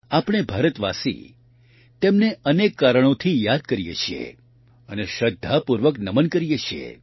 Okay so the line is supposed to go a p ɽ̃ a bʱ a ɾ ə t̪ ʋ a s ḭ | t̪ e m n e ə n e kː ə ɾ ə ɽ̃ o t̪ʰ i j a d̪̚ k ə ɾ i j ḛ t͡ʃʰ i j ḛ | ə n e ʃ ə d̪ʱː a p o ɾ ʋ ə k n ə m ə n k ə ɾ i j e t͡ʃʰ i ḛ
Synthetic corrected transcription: a p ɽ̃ e bʱ a ɾ ə t̪ ʋ a s ḭ | t̪ e m n e ə n e kː a ɾ ə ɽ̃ o t̪ʰ i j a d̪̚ k ə ɾ i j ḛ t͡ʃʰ i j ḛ | ə n e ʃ ə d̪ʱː a p u ɾ ʋ ə k n ə m ə n k ə ɾ i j e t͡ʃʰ i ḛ